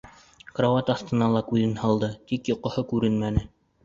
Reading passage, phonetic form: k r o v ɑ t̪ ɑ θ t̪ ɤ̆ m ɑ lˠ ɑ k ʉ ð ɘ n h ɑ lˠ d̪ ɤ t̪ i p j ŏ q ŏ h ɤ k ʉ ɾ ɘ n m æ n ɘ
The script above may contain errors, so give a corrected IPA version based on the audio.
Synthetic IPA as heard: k r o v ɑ t̪ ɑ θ t̪ ɤ̆ n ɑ lˠ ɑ k ʉ ð ɘ n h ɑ lˠ d̪ ɤ t̪ i k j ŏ q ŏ h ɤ k ʉ ɾ ɘ n m æ n ɘ